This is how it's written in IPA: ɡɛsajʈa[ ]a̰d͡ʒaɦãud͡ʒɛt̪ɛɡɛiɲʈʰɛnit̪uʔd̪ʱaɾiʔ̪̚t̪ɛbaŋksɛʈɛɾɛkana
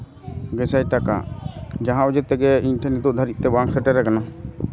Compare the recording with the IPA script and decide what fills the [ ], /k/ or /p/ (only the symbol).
k